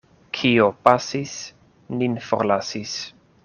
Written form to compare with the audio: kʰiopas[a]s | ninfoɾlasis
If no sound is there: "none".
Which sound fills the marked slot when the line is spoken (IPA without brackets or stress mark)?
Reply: i